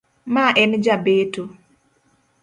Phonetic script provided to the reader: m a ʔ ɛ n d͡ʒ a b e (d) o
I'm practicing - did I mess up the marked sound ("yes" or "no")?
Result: yes